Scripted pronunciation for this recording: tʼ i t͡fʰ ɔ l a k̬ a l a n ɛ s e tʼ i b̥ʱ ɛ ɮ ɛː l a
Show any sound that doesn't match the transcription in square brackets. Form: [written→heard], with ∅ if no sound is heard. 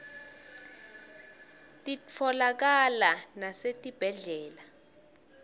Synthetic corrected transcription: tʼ i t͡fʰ ɔ l a k̬ a l a n [ɛ→a] s e tʼ i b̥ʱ ɛ ɮ ɛː l a